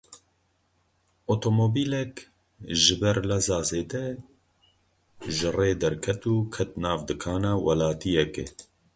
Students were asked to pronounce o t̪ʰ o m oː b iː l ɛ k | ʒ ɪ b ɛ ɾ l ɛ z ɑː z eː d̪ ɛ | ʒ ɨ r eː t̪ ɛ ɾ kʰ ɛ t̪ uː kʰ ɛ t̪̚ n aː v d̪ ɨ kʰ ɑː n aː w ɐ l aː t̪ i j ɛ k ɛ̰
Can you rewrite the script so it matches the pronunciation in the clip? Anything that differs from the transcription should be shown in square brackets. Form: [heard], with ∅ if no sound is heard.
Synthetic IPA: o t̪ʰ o m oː b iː l ɛ k | ʒ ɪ b ɛ ɾ l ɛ z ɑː z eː d̪ ɛ | ʒ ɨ r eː [d̪] ɛ ɾ kʰ ɛ t̪ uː kʰ ɛ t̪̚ n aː v d̪ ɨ kʰ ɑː n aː w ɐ l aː t̪ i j ɛ k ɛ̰